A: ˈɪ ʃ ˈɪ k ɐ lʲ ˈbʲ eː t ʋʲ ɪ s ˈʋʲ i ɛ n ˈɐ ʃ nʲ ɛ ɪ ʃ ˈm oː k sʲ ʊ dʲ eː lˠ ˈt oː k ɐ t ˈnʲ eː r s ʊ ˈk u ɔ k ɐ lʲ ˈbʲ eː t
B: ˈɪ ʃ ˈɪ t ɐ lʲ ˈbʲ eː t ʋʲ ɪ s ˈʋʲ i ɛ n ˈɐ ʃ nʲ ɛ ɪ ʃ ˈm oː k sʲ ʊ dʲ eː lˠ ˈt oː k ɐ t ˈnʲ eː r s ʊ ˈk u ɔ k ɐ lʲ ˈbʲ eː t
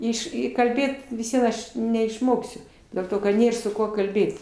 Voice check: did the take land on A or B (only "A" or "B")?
A